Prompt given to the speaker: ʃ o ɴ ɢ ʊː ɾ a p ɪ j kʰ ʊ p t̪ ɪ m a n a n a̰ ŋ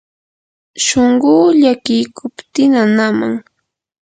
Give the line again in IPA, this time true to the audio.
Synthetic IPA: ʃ o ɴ ɢ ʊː ʎ a k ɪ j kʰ ʊ p t̪ ɪ n a n a m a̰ ŋ